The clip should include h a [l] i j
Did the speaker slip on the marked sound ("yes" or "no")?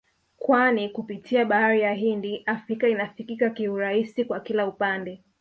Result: yes